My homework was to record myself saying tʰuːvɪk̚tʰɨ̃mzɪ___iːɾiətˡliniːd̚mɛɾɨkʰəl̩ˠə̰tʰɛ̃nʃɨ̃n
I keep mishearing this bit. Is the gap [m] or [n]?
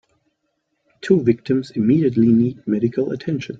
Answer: m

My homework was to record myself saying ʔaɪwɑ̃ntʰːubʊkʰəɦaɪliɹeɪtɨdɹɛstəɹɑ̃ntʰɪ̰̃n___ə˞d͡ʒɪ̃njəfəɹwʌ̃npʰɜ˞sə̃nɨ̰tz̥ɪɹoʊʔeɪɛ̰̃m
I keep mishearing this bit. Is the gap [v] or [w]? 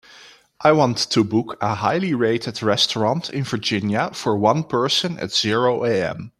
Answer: v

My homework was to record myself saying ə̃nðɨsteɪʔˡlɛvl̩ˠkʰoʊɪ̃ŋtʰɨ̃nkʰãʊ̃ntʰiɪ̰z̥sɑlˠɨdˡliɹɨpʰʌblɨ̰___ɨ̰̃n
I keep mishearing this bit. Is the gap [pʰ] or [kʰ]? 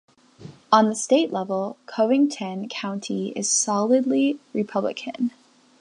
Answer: kʰ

